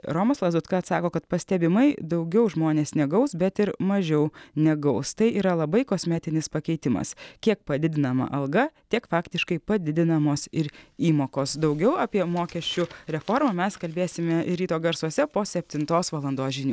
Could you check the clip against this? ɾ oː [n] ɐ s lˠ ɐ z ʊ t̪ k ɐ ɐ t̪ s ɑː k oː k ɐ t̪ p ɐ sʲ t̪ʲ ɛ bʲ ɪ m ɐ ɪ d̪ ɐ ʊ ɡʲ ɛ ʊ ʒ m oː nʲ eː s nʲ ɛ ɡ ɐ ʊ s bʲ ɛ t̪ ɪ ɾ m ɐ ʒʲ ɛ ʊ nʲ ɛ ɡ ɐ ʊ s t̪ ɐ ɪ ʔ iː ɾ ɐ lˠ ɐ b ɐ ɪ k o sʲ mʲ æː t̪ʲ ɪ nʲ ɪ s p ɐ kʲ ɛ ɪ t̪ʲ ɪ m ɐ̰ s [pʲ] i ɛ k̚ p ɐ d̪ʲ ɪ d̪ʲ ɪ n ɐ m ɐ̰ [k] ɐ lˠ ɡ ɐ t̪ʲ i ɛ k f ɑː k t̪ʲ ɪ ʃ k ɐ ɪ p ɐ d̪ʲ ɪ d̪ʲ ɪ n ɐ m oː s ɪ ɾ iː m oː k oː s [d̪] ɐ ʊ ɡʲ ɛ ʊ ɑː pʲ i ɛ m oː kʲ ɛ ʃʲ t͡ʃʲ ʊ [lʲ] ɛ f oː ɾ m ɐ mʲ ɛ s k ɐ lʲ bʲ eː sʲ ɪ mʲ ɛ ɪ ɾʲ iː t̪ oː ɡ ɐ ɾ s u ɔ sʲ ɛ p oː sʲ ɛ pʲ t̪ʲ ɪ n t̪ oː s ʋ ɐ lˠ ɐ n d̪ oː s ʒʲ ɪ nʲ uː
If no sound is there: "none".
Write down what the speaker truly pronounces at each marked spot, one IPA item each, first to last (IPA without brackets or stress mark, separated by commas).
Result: m, kʲ, ʔ, d̪, ɾʲ